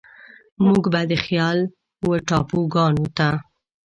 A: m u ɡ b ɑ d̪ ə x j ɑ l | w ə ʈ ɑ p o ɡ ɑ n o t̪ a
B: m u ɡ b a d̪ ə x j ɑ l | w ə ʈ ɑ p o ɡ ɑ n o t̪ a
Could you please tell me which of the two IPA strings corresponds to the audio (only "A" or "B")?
B